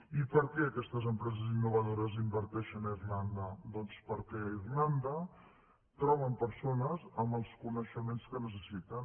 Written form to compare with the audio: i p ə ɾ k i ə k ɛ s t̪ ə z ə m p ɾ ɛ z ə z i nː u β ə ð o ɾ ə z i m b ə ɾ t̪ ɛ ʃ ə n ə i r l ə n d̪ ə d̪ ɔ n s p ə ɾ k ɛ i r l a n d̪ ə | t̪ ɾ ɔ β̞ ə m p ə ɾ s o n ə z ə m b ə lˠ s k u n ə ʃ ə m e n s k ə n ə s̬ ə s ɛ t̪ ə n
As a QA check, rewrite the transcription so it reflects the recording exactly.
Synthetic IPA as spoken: i p ə ɾ k ɛ ə k ɛ s t̪ ə z ə m p ɾ ɛ z ə z i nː u β ə ð o ɾ ə z i m b ə ɾ t̪ ɛ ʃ ə n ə i r l a n d̪ ə d̪ ɔ n s p ə ɾ k ɛ i r l a n d̪ ə | t̪ ɾ ɔ β̞ ə m p ə ɾ s o n ə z ə m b ə lˠ s k u n ə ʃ ə m e n s k ə n ə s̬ ə s i t̪ ə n